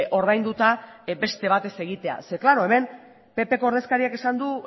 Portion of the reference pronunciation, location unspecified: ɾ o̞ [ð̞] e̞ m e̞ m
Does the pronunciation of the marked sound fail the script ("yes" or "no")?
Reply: yes